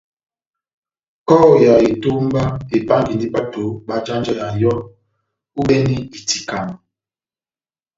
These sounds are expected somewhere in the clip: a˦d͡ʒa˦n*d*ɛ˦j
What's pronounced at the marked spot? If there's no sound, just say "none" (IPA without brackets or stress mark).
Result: d͡ʒ